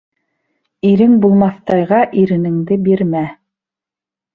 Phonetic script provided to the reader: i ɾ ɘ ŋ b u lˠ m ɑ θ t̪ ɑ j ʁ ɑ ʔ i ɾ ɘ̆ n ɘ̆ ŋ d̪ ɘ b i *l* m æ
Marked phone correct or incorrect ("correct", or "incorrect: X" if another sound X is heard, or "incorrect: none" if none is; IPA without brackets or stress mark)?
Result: incorrect: ɾ